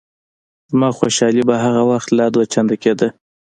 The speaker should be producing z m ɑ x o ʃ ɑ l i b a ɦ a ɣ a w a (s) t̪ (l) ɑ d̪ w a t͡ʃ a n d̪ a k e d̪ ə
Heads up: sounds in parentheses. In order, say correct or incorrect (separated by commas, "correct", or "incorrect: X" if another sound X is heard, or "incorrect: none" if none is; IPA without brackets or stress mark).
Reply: incorrect: x, correct